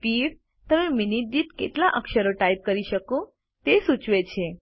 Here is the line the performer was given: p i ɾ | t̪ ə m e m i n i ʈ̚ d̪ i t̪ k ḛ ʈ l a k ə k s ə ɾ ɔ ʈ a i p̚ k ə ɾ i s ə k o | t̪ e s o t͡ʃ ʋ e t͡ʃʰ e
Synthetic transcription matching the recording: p i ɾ | t̪ ə m e m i n i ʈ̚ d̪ i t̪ k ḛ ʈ l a ʔ ə k ʃ ə ɾ o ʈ a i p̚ k ə ɾ i ʃ ə k o | t̪ e s u t͡ʃ ʋ e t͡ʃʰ e